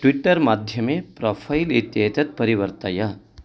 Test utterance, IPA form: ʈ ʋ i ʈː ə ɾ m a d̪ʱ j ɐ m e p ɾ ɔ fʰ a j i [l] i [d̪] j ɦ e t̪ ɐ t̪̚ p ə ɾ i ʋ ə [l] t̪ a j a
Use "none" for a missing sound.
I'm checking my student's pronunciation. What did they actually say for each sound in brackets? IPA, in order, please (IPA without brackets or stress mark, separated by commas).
l, t̪, ɾ